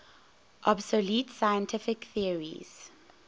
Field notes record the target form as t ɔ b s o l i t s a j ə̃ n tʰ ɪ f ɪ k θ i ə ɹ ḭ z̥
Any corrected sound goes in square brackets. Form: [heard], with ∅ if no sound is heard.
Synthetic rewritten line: [ʔ] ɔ b s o l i t s a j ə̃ n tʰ ɪ f ɪ k θ i ə ɹ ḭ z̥